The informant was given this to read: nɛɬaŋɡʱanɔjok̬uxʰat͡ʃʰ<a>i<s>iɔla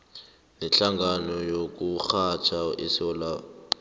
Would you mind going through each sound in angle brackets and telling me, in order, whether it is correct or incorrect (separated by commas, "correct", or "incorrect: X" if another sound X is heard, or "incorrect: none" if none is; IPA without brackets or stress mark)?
correct, correct